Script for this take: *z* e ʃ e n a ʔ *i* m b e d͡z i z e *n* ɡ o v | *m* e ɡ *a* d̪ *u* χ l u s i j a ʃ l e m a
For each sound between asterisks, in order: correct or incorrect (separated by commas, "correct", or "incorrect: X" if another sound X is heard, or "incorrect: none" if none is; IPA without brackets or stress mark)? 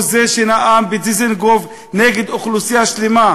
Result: correct, incorrect: a, correct, incorrect: n, incorrect: e, incorrect: o